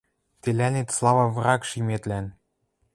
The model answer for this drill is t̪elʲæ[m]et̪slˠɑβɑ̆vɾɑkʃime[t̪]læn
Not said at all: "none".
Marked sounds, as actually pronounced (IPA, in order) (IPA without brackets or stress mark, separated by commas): n, t̪